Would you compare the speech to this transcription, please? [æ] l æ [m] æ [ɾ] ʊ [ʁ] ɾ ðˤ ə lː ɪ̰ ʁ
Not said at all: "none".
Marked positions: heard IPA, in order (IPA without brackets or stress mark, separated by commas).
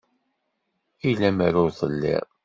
i, m, ɾ, none